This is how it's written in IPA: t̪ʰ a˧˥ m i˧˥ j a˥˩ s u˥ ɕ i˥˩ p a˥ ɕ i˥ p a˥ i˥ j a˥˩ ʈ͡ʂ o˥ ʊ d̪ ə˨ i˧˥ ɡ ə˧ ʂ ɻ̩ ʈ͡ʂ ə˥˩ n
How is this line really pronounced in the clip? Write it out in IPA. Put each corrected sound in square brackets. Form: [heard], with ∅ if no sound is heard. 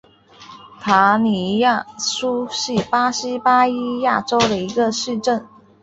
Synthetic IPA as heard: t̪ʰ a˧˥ [n] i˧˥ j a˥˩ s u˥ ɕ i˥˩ p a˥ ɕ i˥ p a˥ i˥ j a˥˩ ʈ͡ʂ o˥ ʊ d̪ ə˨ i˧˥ ɡ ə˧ ʂ ɻ̩ ʈ͡ʂ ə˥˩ n

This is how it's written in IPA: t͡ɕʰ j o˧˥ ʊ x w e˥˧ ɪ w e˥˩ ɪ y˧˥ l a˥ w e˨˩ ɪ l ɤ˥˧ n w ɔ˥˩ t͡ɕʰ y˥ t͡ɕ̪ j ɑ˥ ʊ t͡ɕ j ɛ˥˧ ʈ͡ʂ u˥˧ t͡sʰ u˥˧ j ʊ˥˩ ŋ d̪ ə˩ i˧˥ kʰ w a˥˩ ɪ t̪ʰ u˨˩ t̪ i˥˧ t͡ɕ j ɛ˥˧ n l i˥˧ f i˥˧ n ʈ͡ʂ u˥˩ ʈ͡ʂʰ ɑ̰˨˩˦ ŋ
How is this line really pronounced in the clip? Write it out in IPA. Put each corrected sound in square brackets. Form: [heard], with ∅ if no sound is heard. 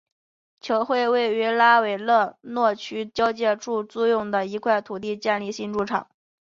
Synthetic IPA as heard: t͡ɕʰ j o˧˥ ʊ x w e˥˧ ɪ w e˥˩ ɪ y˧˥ l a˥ w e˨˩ ɪ l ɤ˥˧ n w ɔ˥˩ t͡ɕʰ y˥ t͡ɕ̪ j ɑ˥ ʊ t͡ɕ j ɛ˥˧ ʈ͡ʂ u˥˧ [t͡s] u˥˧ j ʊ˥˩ ŋ d̪ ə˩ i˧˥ kʰ w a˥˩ ɪ t̪ʰ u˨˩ t̪ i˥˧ t͡ɕ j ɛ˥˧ n l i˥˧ [ɕ] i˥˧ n ʈ͡ʂ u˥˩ ʈ͡ʂʰ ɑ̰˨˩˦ ŋ

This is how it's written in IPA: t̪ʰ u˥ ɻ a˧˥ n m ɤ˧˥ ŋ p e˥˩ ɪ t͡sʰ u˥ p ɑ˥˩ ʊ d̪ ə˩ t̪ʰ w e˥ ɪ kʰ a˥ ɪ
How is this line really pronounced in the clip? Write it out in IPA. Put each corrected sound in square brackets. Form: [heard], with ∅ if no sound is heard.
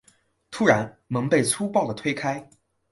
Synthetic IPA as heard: t̪ʰ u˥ ɻ a˧˥ n m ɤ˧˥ ŋ p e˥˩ ɪ t͡sʰ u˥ p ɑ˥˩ ʊ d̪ ə˩ t̪ʰ w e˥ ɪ kʰ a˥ ɪ

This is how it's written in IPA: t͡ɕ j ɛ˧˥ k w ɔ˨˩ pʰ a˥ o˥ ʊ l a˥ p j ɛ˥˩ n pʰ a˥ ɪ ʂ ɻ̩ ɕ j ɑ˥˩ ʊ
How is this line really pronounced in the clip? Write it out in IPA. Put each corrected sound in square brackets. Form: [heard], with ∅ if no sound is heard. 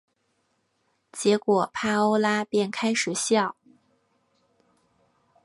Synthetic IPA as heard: t͡ɕ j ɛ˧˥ k w ɔ˨˩ pʰ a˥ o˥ ʊ l a˥ p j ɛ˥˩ n [kʰ] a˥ ɪ ʂ ɻ̩ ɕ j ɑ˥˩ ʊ

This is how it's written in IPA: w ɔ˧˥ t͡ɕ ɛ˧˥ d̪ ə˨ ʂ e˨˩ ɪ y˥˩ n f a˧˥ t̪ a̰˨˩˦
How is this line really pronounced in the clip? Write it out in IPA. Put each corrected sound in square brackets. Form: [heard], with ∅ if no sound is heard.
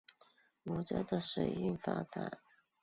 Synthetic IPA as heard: w [ɔ˨˩] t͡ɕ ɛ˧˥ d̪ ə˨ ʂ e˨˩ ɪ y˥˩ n f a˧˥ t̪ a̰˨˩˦

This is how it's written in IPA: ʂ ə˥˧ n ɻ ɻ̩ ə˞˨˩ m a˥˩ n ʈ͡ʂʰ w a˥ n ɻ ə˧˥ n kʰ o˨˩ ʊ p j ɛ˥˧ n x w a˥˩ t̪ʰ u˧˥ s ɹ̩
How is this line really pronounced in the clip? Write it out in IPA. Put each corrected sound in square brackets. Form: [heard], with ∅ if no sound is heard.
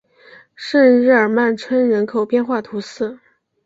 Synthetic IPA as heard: ʂ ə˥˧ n ɻ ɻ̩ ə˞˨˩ m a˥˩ n ʈ͡ʂʰ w [ə˥] n ɻ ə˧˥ n kʰ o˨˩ ʊ p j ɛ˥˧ n x w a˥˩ t̪ʰ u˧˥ s ɹ̩

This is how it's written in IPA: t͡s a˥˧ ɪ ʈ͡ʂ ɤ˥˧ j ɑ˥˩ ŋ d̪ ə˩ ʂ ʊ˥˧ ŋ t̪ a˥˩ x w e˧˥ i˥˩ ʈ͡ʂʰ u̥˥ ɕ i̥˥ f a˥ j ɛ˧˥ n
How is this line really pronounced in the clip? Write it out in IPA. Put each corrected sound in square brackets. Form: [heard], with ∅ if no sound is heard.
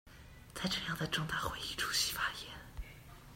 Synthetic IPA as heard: t͡s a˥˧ ɪ ʈ͡ʂ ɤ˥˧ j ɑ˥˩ ŋ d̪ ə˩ [ʈ͡ʂ] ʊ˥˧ ŋ t̪ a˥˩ x w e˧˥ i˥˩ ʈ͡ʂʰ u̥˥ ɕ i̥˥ f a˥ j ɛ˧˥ n

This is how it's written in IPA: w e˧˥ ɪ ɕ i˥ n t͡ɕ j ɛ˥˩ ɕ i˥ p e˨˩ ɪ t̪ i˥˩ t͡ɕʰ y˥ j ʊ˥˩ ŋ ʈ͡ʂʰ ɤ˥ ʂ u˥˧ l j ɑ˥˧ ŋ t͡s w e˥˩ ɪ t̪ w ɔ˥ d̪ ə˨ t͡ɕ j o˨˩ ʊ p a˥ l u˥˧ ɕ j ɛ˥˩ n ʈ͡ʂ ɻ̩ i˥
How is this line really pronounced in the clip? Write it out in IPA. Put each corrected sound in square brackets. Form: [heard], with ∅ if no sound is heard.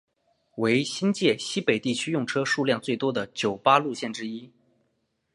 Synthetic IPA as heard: w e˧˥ ɪ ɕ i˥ n t͡ɕ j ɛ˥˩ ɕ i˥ p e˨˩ ɪ t̪ i˥˩ t͡ɕʰ y˥ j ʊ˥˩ ŋ ʈ͡ʂʰ ɤ˥ ʂ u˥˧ l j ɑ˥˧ ŋ t͡s w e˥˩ ɪ t̪ w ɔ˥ d̪ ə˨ t͡ɕ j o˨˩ ʊ p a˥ l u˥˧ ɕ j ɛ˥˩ n ʈ͡ʂ ɻ̩ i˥

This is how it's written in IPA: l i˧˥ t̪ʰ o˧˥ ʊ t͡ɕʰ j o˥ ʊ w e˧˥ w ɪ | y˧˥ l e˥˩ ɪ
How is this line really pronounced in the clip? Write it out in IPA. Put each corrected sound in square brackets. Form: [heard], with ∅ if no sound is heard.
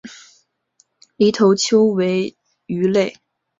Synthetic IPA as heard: l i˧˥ t̪ʰ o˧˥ ʊ t͡ɕʰ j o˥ ʊ w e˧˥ [∅] ɪ | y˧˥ l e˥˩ ɪ

